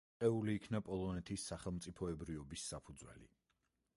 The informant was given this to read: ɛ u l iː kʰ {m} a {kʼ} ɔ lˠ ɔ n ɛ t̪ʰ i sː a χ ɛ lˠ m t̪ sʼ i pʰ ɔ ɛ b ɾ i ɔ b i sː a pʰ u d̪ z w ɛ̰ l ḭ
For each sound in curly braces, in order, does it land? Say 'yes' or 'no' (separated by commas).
no, no